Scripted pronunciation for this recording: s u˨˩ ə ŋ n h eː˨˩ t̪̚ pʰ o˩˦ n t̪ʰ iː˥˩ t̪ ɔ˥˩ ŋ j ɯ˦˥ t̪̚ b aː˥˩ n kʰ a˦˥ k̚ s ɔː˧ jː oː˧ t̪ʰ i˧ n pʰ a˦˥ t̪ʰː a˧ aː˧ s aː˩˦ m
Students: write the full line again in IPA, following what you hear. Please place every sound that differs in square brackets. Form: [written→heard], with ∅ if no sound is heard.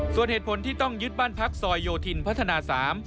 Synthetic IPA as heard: s u˨˩ ə [ŋ→∅] n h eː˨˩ t̪̚ pʰ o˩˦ n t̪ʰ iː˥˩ t̪ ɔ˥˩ ŋ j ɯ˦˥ t̪̚ b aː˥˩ n [kʰ→pʰ] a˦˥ k̚ s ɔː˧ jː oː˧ t̪ʰ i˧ n pʰ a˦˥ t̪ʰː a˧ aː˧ s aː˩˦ m